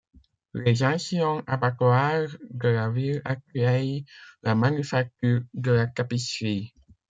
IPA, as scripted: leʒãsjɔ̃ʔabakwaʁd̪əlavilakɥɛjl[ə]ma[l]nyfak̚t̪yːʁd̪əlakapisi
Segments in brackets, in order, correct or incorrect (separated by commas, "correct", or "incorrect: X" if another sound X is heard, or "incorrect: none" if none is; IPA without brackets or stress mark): incorrect: a, incorrect: none